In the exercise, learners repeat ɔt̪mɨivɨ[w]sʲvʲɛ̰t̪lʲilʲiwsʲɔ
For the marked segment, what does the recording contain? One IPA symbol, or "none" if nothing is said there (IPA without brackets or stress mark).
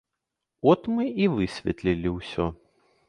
none